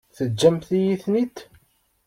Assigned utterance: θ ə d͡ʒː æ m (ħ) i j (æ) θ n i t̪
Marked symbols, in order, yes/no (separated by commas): no, no